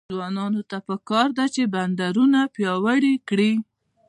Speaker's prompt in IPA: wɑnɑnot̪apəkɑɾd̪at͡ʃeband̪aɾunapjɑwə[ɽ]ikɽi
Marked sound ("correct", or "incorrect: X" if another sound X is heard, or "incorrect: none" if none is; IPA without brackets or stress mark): correct